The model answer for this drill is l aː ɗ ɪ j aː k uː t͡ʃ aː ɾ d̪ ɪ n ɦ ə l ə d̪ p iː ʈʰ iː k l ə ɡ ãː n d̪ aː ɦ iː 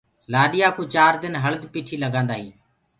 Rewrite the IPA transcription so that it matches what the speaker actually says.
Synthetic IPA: l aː ɗ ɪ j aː k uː t͡ʃ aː ɾ d̪ ɪ n ɦ ə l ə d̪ p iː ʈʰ iː l ə ɡ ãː n d̪ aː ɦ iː

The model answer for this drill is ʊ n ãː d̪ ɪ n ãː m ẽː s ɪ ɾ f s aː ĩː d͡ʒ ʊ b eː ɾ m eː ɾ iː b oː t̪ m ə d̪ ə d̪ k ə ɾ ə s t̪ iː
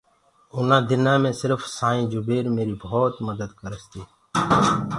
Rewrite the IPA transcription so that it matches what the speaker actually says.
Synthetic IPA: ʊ n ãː d̪ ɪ n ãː m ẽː s ɪ ɾ f s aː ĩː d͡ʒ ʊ b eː ɾ m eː ɾ iː b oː t̪ m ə d̪ ə d̪ k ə ɾ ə s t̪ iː

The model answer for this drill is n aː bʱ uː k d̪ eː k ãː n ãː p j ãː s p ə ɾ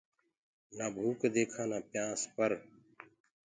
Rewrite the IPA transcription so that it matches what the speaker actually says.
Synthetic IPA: n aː bʱ uː k d̪ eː kʰ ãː n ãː p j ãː s p ə ɾ

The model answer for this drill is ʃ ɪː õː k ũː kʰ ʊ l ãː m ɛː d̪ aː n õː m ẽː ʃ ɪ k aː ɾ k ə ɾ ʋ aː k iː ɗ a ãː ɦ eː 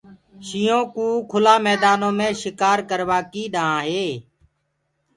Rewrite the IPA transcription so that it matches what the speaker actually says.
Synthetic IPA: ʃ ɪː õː k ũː kʰ ʊ l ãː m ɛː d̪ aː n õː m ẽː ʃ ɪ k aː ɾ k ə ɾ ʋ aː k iː ɗ a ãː ɦ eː

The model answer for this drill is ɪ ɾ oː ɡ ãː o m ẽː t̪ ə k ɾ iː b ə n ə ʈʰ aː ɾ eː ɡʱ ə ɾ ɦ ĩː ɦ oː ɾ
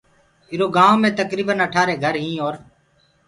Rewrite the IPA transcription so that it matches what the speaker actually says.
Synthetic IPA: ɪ ɾ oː ɡ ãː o m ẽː t̪ ə k ɾ iː b ə n ə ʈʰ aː ɾ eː ɡʱ ə ɾ ɦ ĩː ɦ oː ɾ

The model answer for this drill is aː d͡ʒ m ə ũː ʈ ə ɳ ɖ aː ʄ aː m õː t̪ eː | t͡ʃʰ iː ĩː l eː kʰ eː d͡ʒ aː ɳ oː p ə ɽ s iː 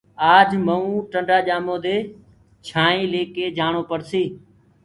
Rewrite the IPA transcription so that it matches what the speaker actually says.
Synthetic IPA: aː d͡ʒ m ə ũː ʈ ə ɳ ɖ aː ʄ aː m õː d̪ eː | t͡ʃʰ aː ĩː l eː k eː d͡ʒ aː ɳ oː p ə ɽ s iː

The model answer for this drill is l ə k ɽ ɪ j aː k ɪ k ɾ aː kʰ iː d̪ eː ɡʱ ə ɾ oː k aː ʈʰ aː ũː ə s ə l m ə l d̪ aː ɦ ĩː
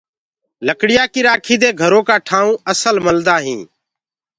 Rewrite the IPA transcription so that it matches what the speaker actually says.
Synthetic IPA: l ə k ɽ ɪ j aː k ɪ ɾ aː kʰ iː d̪ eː ɡʱ ə ɾ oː k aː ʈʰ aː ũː ə s ə l m ə l d̪ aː ɦ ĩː

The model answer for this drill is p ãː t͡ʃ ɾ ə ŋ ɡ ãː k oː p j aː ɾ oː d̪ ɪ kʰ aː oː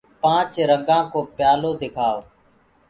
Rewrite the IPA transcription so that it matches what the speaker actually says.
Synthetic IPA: p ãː t͡ʃ ɾ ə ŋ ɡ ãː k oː p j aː l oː d̪ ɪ kʰ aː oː

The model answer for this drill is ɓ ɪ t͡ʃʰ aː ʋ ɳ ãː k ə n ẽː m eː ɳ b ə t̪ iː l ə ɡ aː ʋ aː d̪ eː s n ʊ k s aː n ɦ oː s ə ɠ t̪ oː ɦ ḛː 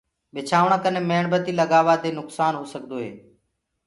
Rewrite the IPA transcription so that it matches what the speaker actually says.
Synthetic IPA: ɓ ɪ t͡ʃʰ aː ʋ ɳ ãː k ə n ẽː m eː ɳ b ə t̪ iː l ə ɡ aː ʋ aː d̪ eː n ʊ k s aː n ɦ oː s ə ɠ d̪ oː ɦ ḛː

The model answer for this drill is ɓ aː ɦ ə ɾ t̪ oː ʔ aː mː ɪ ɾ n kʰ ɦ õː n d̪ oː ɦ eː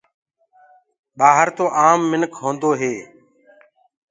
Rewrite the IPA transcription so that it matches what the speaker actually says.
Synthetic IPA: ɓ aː ɦ ə ɾ t̪ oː ʔ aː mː ɪ n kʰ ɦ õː n d̪ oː ɦ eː

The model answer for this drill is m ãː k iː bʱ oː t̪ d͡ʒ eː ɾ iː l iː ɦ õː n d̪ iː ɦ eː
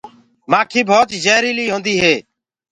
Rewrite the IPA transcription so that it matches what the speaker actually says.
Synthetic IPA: m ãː kʰ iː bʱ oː t̪ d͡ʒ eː ɾ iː l iː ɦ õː n d̪ iː ɦ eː

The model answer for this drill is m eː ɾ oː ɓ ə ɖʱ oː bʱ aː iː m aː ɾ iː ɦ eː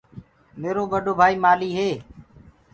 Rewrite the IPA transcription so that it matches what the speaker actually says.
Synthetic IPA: m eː ɾ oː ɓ ə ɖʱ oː bʱ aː iː m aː l iː ɦ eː

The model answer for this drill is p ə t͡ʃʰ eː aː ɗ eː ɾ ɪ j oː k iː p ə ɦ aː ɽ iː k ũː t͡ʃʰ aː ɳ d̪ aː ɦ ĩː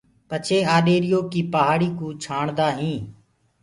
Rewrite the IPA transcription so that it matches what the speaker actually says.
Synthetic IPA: p ə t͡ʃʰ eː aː ɗ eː ɾ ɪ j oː k iː p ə ɦ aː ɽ iː k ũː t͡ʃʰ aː ɳ d̪ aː ɦ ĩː

